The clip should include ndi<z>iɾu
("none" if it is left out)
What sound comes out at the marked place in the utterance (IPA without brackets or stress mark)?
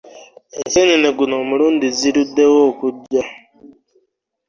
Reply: z